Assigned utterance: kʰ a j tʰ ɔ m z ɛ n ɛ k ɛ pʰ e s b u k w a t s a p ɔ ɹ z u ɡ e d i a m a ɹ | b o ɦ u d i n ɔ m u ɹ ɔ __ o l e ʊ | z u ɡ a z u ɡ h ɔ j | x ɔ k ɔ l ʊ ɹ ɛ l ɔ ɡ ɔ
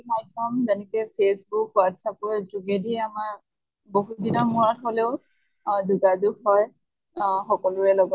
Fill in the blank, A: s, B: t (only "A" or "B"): B